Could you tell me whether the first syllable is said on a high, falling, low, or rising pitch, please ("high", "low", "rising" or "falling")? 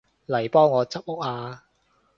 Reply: low